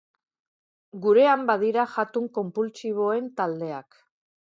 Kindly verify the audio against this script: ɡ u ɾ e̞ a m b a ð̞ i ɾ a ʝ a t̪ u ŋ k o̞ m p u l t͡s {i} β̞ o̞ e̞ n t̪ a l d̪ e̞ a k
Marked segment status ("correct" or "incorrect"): correct